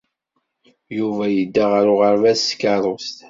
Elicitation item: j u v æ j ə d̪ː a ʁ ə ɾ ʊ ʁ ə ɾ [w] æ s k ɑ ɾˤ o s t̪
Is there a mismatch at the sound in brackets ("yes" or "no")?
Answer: yes